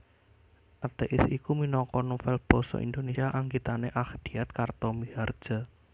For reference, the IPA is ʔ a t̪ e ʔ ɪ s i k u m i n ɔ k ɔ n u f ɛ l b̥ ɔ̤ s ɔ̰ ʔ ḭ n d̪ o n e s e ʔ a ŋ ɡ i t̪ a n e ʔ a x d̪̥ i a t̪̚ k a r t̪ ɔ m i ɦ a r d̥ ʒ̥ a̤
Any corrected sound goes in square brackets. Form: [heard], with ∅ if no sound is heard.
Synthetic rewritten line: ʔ a t̪ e ʔ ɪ s i k u m i n ɔ k ɔ n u f ɛ l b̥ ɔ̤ s ɔ̰ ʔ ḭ n d̪ o n e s [a] ʔ a ŋ ɡ i t̪ a n e ʔ a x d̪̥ i a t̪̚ k a r t̪ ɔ m i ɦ a r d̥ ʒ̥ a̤